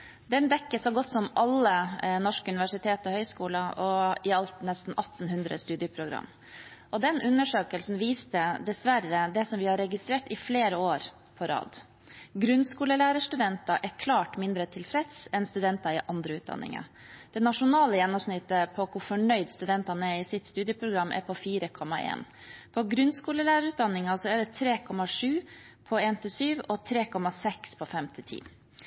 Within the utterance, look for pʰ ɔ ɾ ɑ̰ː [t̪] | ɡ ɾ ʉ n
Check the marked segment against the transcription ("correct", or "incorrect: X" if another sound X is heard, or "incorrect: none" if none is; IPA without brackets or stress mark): incorrect: d̪